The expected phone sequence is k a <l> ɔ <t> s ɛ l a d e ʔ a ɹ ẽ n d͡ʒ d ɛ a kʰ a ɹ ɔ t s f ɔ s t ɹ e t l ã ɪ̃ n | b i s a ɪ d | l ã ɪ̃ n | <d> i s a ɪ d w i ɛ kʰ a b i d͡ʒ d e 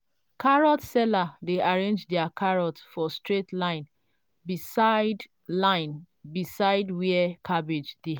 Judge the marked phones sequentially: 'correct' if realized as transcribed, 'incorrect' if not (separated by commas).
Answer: incorrect, correct, incorrect